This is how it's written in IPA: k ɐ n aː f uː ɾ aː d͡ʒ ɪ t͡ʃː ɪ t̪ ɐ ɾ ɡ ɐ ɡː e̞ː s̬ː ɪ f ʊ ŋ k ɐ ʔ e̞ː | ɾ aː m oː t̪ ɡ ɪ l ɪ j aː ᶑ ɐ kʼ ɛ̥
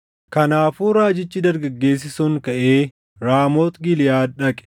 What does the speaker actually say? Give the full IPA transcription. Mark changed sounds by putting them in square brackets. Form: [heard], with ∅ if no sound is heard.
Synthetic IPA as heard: k ɐ n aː f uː ɾ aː d͡ʒ ɪ t͡ʃː ɪ [d̪] ɐ ɾ ɡ ɐ ɡː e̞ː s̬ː ɪ [s] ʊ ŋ k ɐ ʔ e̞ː | ɾ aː m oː t̪ ɡ ɪ l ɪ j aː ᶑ ɐ kʼ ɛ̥